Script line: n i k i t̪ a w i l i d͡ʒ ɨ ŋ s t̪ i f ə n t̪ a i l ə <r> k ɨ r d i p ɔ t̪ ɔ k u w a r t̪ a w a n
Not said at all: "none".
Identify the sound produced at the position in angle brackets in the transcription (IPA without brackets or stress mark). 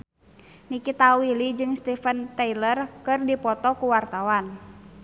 r